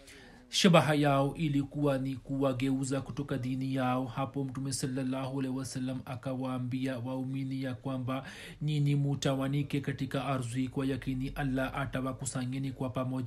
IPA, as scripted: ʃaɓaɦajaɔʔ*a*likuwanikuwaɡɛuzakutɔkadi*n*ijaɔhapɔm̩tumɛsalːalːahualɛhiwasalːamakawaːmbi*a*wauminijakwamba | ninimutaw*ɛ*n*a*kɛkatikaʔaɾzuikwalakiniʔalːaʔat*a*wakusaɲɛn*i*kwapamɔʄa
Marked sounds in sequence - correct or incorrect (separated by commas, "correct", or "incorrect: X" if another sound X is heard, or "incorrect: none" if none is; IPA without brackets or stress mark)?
incorrect: i, correct, correct, incorrect: a, incorrect: i, correct, correct